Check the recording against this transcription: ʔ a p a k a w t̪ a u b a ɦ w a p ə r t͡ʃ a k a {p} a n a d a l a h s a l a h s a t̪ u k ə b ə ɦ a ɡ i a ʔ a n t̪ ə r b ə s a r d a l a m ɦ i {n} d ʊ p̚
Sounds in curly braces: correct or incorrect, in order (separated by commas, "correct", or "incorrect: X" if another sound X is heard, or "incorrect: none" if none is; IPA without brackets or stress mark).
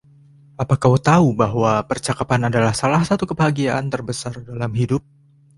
correct, incorrect: none